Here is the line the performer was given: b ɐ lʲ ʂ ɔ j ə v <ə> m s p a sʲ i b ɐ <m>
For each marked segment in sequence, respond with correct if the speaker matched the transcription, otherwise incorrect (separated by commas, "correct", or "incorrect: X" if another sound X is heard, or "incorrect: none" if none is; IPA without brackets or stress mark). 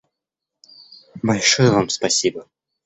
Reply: incorrect: a, incorrect: none